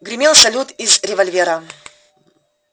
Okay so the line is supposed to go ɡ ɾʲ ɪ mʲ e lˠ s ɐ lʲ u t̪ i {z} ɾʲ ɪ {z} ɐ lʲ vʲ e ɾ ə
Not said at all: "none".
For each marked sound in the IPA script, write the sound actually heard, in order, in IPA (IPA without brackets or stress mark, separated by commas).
z, v